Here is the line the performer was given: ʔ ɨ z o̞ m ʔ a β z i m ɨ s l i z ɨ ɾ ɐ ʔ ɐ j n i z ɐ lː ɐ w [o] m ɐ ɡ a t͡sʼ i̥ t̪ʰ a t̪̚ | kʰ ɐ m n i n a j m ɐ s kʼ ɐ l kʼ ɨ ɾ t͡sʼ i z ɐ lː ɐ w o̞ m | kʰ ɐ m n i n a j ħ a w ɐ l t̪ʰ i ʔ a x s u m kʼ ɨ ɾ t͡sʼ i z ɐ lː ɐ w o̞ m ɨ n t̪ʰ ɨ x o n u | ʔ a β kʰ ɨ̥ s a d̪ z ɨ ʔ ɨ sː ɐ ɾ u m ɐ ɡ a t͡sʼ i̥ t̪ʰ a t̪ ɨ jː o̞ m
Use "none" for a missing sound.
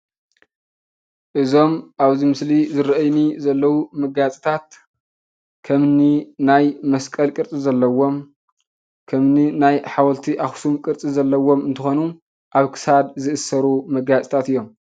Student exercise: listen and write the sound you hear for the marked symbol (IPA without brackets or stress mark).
u